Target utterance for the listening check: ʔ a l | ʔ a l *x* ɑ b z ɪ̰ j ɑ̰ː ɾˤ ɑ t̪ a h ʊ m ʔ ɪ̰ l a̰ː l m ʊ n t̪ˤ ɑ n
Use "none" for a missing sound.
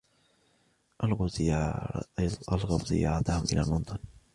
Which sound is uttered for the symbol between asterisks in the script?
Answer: ɣ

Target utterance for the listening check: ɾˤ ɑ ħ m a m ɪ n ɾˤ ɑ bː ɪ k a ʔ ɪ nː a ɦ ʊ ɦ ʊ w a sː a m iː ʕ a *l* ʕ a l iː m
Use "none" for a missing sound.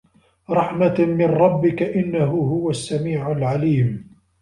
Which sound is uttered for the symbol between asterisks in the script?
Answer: l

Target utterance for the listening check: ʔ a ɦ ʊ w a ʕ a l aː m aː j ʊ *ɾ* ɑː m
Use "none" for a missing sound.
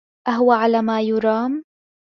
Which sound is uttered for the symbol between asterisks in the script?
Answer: ɾ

